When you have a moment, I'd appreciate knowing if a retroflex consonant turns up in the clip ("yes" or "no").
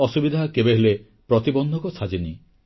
no